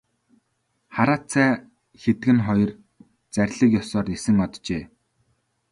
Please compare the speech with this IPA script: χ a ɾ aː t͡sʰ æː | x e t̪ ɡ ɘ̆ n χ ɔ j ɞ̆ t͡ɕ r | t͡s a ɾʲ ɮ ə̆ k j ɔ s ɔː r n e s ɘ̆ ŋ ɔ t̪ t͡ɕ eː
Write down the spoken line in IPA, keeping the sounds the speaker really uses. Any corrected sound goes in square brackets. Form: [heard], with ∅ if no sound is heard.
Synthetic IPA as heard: χ a ɾ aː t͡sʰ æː | x e t̪ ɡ ɘ̆ n χ ɔ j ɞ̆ [∅] r | t͡s [æ] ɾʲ ɮ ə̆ k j ɔ s ɔː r n e s ɘ̆ ŋ ɔ t̪ t͡ɕ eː